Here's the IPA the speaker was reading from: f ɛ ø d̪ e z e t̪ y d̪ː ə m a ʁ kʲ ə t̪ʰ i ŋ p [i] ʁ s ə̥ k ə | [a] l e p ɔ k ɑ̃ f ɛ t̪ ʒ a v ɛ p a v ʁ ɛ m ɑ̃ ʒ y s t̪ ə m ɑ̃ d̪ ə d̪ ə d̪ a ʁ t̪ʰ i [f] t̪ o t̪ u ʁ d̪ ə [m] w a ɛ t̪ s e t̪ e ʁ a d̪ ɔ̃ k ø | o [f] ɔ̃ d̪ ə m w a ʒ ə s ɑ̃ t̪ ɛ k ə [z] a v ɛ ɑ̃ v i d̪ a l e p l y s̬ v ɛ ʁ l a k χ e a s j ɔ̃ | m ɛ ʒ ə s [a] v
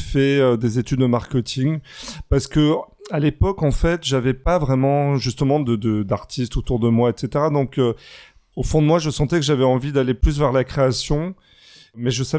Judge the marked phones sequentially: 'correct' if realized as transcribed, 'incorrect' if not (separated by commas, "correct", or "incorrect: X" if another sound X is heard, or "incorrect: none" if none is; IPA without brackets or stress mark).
incorrect: a, correct, incorrect: s, correct, correct, incorrect: ʒ, correct